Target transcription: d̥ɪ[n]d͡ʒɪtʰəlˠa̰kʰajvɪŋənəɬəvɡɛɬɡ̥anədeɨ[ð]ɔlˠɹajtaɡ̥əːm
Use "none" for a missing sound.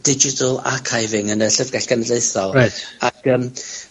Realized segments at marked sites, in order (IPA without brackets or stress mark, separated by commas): none, θ